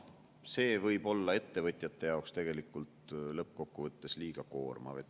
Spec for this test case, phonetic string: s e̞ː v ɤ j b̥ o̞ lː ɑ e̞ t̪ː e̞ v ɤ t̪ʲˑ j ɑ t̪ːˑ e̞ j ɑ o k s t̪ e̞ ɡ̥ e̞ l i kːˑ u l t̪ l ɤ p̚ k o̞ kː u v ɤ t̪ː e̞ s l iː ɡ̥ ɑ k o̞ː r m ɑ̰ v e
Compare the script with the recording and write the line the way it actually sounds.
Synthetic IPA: s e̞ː v ɤ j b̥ o̞ lː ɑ e̞ t̪ː e̞ v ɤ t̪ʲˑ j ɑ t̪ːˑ e̞ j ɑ o k s t̪ e̞ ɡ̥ e̞ l i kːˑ u l t̪ l ɤ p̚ k o̞ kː u v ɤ t̪ː e̞ s l iː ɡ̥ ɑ k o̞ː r m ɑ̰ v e